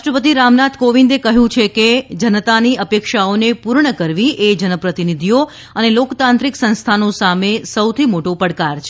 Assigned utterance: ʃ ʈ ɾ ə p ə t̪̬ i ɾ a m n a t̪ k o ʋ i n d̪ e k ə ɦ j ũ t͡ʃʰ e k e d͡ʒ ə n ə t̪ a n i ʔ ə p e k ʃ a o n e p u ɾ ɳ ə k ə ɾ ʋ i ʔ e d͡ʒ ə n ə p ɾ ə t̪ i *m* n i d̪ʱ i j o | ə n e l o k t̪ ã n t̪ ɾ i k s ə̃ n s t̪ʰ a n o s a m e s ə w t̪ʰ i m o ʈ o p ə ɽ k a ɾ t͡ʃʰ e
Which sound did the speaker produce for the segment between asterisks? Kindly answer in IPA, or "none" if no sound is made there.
none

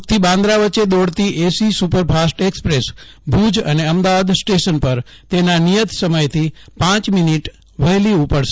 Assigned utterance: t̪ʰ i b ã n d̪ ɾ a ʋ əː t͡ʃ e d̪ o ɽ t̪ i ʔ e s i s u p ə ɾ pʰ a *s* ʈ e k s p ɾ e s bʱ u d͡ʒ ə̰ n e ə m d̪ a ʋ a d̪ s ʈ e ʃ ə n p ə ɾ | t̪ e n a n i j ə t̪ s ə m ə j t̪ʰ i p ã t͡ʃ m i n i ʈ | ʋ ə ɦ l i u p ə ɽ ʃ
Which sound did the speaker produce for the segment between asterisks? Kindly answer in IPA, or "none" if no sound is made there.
s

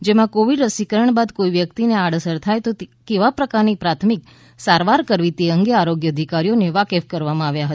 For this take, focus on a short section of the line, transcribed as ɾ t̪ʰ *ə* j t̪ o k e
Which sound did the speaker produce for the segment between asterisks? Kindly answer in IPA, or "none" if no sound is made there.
a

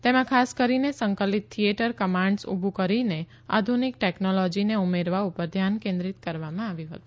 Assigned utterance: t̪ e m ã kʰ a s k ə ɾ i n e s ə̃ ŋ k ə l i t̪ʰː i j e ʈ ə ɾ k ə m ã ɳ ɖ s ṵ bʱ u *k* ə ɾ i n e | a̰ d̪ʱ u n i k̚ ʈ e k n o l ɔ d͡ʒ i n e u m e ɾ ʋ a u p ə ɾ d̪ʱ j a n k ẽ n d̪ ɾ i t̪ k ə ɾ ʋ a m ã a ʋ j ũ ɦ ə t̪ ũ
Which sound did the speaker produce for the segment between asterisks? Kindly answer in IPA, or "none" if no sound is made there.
k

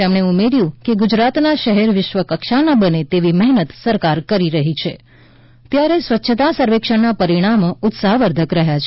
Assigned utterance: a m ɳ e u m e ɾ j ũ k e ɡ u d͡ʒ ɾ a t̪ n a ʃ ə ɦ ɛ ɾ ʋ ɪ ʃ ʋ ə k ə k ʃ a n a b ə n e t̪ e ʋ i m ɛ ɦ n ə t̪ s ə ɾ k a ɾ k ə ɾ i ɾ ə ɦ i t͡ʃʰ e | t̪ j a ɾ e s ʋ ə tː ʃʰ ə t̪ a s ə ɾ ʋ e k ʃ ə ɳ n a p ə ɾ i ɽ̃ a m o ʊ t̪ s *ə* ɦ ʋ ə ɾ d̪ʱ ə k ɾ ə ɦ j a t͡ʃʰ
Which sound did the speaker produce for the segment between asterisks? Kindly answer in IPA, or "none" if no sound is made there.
a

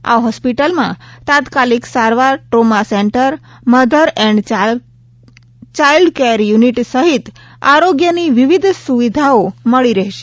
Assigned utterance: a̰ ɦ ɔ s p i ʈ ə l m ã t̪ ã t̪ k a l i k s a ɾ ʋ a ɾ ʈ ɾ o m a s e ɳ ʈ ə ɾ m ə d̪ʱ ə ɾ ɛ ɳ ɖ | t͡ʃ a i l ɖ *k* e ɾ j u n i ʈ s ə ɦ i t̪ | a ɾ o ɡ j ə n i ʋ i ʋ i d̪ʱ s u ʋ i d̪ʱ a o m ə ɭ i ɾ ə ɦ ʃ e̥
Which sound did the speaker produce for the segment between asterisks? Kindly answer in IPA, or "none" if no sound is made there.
k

